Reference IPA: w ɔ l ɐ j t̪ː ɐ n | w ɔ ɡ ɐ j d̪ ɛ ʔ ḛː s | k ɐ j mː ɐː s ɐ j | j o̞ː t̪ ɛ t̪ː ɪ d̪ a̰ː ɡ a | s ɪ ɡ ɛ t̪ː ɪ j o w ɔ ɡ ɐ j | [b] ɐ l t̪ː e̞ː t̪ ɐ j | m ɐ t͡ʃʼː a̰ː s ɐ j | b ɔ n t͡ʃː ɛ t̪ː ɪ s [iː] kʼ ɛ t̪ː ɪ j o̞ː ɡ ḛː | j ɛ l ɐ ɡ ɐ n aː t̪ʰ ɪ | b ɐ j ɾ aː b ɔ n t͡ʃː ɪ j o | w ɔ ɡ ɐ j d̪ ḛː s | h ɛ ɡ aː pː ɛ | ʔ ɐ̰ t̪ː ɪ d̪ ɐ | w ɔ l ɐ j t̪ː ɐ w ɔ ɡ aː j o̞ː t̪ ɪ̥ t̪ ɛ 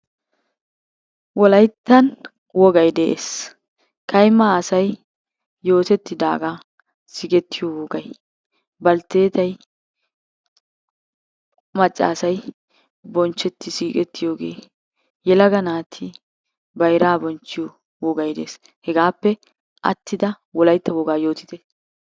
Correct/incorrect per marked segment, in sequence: correct, correct

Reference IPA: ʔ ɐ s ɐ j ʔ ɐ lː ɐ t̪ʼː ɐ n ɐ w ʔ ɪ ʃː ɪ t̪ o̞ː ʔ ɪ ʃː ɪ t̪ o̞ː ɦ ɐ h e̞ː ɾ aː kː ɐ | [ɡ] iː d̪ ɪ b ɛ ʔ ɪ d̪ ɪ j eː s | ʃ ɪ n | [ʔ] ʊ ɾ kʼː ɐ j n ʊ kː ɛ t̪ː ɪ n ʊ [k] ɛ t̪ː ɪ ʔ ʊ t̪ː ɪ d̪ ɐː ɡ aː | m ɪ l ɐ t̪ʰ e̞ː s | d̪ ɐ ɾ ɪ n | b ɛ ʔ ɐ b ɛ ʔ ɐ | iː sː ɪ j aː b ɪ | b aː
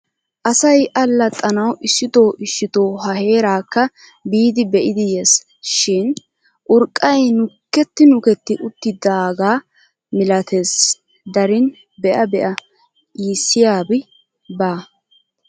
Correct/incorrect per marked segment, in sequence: incorrect: b, correct, correct

